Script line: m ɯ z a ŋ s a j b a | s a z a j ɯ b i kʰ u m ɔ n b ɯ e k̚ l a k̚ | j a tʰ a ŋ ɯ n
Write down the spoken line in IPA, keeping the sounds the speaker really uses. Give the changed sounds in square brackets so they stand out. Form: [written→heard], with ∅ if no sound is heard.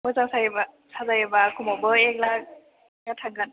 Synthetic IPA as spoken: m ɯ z a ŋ s a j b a | s a z a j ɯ b [i→a] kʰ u m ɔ [n→∅] b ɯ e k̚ l a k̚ | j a tʰ a [ŋ→ɡ] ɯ n